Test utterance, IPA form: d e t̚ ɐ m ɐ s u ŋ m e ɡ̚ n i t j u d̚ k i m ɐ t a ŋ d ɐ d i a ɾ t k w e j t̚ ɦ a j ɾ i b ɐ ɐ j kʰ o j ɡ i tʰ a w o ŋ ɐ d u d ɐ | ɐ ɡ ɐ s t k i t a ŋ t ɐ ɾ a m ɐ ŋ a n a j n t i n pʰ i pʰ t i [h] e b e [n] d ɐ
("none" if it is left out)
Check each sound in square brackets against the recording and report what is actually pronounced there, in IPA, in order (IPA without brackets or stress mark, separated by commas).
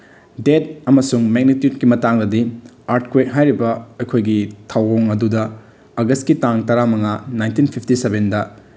s, n